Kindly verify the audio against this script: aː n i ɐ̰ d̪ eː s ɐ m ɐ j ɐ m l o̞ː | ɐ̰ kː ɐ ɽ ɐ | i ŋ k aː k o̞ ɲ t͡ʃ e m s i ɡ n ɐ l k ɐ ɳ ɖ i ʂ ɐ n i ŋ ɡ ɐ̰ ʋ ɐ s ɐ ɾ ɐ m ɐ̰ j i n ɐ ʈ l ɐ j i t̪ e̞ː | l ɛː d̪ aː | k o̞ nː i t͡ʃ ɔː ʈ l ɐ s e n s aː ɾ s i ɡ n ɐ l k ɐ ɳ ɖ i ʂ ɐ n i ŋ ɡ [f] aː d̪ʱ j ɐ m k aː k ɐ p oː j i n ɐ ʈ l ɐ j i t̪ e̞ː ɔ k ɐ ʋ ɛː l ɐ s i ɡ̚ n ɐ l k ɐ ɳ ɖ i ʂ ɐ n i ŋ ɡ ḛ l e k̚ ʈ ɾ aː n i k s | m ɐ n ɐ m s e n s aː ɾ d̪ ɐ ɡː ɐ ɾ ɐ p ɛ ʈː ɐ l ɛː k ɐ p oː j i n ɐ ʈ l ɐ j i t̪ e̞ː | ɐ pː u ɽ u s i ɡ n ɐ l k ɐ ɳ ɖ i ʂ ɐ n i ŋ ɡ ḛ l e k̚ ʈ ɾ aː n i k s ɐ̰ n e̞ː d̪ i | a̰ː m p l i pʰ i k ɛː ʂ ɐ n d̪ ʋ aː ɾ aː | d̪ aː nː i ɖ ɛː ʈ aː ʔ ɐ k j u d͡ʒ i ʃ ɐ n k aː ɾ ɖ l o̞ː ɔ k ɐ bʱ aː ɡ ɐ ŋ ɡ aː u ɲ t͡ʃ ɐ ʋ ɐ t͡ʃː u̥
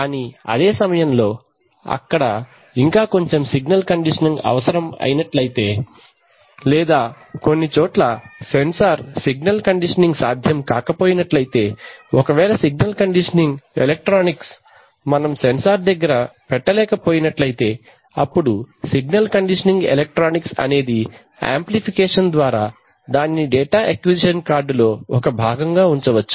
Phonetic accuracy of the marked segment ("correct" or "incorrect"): incorrect